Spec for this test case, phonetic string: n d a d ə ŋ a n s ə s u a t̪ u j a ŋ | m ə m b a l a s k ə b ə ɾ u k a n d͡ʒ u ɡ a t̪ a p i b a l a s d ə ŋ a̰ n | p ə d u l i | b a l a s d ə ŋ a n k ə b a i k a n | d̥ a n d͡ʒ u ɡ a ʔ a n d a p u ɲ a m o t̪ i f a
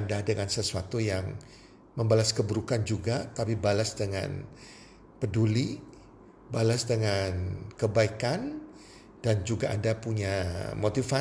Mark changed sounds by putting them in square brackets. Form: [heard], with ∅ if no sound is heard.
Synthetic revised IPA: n d a d ə ŋ a n s ə s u a t̪ u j a ŋ | m ə m b a l a s k ə b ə ɾ u k a n d͡ʒ u ɡ a t̪ a p i b a l a s d ə ŋ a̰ n | p ə d u l i | b a l a s d ə ŋ a n k ə b a i k a n | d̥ a n d͡ʒ u ɡ a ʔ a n d a p u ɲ a m o t̪ i f a